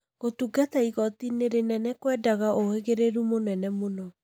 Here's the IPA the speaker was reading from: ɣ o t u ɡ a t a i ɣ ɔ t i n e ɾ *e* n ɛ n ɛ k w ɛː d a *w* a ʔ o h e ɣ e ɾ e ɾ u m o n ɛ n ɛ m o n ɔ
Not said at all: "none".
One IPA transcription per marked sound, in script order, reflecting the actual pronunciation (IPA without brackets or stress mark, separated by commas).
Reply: e, ɣ